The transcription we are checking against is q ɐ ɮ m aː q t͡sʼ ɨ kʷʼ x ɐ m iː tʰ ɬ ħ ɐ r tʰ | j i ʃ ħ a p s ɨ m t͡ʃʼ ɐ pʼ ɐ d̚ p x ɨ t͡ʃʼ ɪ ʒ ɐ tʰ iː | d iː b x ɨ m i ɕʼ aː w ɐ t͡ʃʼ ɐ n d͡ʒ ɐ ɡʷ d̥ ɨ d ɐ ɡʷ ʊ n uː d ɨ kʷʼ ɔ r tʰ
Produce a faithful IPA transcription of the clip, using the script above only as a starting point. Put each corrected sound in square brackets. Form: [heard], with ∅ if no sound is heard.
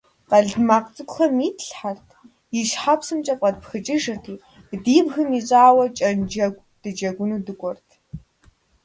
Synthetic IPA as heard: q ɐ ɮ m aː q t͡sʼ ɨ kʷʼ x ɐ m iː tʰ ɬ ħ [a] r tʰ | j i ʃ ħ a p s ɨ m t͡ʃʼ ɐ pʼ ɐ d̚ p x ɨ t͡ʃʼ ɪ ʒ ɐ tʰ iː | d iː b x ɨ m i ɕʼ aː w ɐ t͡ʃʼ ɐ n d͡ʒ ɐ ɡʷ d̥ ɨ [d͡ʒ] ɐ ɡʷ ʊ n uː d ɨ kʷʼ ɔ r tʰ